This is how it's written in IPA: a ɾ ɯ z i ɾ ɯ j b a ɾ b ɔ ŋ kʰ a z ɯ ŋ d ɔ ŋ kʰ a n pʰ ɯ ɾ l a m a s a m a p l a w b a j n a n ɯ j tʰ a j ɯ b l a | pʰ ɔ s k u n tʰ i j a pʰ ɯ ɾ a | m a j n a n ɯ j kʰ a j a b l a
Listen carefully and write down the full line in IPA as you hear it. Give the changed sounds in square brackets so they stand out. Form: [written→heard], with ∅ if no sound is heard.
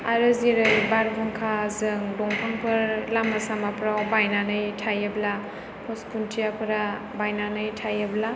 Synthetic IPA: a ɾ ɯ z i ɾ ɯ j b a ɾ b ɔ ŋ kʰ a z ɯ ŋ d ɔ ŋ [kʰ→pʰ] a [n→ŋ] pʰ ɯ ɾ l a m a s a m a p [l→ɾ] a w b a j n a n ɯ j tʰ a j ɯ b l a | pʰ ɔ s k u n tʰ i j a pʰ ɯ ɾ a | [m→b] a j n a n ɯ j [kʰ→tʰ] a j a b l a